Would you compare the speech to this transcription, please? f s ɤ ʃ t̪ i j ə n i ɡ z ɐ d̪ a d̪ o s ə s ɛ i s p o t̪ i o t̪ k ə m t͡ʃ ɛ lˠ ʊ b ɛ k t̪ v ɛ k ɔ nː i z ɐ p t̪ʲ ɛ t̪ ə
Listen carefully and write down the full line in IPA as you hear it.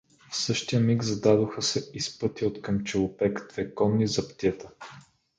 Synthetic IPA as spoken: f s ɤ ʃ t̪ i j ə m i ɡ z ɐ d̪ a d̪ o x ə s ɛ i s p ɤ t̪ i o t̪ k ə m t͡ʃ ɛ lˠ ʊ p ɛ k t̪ v ɛ k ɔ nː i z ɐ p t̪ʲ ɛ t̪ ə